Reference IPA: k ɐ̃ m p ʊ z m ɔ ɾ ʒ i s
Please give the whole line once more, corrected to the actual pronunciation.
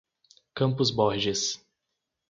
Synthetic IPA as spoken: k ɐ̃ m p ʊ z b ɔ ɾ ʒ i s